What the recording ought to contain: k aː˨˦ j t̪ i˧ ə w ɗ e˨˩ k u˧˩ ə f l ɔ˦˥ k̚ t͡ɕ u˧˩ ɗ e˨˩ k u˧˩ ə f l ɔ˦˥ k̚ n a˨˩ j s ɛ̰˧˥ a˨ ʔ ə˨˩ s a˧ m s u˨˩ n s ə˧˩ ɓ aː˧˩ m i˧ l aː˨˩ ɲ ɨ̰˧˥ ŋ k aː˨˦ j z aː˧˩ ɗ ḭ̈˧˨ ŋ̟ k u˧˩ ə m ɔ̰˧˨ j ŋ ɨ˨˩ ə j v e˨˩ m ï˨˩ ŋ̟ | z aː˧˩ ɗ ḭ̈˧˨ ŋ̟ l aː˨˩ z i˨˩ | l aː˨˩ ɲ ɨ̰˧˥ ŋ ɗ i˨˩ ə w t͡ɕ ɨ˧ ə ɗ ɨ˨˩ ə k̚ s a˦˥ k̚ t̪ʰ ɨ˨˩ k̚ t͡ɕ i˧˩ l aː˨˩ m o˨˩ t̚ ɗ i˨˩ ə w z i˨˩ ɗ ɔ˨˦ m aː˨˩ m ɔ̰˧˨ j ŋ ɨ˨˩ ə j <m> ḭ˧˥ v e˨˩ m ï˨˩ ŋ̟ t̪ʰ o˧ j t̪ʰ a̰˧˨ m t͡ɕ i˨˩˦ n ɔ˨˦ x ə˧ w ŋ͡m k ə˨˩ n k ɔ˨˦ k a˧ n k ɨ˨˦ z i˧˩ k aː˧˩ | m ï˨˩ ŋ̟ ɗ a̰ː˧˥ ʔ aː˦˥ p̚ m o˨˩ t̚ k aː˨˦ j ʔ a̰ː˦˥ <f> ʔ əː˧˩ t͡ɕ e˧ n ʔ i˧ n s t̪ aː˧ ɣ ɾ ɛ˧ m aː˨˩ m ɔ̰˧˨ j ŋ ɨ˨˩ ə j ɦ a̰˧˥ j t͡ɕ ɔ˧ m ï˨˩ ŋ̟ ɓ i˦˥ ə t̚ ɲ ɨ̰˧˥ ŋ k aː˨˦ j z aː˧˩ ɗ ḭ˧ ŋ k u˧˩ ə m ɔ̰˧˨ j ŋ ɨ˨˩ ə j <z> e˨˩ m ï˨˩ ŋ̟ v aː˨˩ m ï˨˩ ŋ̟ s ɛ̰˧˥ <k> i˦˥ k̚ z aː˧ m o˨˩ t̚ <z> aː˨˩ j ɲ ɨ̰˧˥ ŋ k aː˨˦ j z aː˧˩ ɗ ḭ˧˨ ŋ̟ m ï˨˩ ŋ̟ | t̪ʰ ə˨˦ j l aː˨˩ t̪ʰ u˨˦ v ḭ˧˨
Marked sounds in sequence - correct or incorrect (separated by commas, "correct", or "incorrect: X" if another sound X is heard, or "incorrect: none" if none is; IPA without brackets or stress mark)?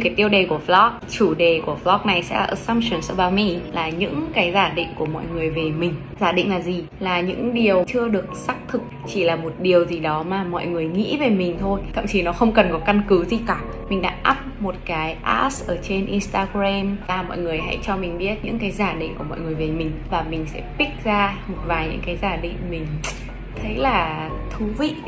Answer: incorrect: ŋ, incorrect: s, incorrect: v, incorrect: p, incorrect: v